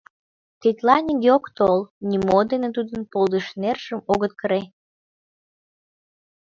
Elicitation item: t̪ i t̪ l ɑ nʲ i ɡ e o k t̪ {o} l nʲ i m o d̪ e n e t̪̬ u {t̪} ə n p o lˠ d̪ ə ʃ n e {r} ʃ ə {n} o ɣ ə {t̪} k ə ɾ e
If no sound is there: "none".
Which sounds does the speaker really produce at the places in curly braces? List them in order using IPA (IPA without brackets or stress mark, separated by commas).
o, d̪, r, m, t̪